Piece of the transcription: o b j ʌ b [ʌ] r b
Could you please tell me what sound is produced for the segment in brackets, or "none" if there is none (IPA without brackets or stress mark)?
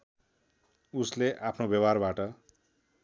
a